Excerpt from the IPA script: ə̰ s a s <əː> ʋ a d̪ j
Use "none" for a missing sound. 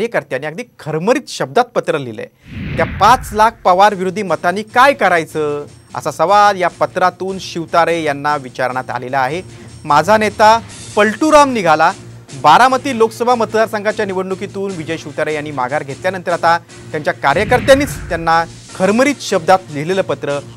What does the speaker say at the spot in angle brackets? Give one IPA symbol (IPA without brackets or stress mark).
ə